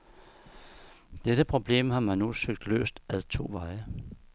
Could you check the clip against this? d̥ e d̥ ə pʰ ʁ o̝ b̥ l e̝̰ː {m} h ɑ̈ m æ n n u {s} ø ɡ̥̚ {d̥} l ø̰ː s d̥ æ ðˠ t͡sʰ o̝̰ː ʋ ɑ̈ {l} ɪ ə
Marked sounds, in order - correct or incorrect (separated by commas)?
correct, correct, correct, incorrect